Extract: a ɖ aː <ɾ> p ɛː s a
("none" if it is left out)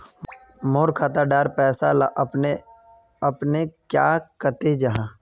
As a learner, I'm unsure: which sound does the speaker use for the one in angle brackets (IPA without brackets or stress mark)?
ɾ